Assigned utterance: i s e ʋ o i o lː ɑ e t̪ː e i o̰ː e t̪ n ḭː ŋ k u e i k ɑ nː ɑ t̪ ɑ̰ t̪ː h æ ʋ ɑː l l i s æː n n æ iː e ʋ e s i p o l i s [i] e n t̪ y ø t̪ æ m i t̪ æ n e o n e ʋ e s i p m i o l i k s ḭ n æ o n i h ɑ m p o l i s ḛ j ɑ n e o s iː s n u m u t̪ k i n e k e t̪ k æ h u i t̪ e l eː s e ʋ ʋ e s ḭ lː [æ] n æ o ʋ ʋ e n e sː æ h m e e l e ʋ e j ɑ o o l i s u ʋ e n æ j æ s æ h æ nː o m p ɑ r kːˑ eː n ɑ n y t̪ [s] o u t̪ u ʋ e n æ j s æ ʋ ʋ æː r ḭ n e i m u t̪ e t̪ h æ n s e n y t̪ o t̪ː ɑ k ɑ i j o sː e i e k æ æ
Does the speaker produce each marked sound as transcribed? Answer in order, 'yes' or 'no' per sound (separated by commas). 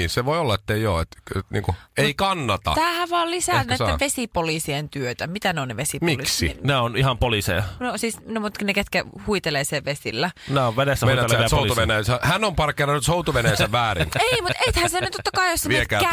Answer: yes, yes, yes